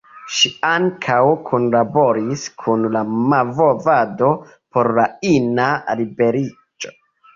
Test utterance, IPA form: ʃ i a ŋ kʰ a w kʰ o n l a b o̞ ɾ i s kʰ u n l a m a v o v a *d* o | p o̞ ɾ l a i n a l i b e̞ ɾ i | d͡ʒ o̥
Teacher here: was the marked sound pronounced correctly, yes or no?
yes